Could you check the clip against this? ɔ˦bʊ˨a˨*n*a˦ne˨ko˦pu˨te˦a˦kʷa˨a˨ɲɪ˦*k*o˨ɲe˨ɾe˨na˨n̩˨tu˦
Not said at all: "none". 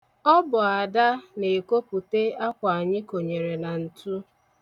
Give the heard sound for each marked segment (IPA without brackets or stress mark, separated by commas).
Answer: d, k